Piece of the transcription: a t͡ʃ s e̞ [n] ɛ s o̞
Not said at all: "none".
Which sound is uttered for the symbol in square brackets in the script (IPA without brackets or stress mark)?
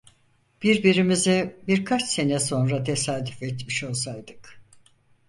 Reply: n